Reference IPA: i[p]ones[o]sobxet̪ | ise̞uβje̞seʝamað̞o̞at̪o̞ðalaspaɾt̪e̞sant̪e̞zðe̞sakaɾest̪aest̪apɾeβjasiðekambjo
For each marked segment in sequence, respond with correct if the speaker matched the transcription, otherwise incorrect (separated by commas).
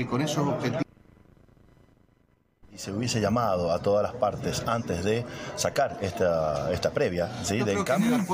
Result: incorrect, correct